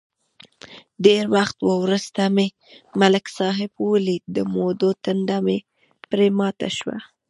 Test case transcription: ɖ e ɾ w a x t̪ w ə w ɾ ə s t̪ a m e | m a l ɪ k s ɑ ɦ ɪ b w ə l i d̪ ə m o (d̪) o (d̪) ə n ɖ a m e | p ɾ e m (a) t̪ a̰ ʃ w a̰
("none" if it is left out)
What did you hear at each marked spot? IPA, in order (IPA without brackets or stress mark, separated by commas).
d̪, t̪, ɑ